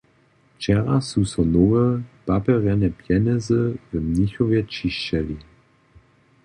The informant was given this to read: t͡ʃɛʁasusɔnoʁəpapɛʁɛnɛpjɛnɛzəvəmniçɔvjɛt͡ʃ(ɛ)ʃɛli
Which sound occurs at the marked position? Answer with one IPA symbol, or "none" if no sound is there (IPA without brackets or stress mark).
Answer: i